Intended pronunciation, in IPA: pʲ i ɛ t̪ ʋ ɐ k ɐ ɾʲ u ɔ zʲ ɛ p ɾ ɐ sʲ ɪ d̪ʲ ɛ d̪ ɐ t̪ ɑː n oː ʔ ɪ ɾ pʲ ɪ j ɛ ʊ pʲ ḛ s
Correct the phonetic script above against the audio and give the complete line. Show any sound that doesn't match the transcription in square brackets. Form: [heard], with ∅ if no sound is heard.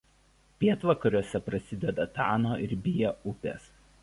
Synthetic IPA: pʲ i ɛ t̪ ʋ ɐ k ɐ ɾʲ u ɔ [sʲ] ɛ p ɾ ɐ sʲ ɪ d̪ʲ ɛ d̪ ɐ t̪ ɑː n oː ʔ ɪ ɾ [bʲ] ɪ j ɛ ʊ pʲ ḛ s